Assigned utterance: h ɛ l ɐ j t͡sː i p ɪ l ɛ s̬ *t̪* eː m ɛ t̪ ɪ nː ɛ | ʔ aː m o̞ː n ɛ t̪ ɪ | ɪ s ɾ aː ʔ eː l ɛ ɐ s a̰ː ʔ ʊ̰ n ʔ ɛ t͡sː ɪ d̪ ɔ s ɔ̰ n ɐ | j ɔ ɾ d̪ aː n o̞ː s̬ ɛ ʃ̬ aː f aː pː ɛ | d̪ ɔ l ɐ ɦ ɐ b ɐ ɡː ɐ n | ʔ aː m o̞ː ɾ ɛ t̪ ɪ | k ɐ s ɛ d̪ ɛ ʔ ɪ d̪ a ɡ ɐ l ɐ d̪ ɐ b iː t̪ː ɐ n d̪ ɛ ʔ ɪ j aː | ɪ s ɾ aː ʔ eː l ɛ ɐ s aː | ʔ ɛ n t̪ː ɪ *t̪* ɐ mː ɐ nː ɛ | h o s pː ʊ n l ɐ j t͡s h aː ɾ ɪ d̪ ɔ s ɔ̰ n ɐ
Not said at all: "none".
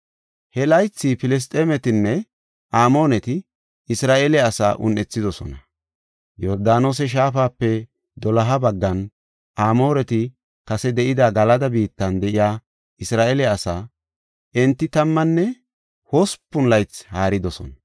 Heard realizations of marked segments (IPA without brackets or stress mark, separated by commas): t̪ʼ, t̪